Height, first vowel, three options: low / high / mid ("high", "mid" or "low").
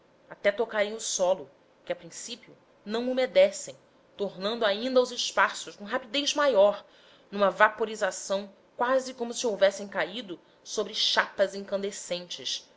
low